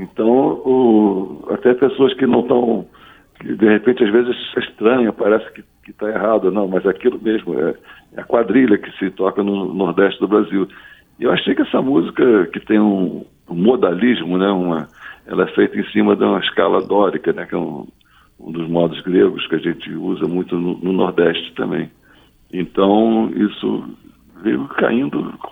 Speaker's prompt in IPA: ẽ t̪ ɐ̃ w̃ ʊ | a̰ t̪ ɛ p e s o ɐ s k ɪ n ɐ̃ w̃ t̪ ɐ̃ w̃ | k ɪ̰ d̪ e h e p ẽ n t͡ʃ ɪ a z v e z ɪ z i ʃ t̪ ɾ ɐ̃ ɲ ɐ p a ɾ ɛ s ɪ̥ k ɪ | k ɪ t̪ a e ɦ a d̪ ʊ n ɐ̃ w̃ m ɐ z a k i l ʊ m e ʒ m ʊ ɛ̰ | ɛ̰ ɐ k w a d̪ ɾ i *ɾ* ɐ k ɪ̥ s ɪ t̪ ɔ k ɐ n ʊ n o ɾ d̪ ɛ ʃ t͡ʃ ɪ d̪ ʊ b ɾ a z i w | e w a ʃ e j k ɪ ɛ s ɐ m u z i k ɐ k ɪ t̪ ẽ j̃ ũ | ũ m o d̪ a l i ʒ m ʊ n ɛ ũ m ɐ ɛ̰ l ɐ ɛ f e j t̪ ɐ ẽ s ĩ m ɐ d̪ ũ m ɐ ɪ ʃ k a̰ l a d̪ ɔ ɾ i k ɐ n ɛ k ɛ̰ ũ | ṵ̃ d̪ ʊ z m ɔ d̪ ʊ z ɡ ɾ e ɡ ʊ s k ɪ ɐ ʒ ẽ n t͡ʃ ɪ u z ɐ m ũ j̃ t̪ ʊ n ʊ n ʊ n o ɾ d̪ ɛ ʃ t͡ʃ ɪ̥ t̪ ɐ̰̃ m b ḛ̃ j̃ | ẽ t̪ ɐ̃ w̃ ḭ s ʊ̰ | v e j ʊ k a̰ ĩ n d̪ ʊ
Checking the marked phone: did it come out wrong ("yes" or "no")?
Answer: yes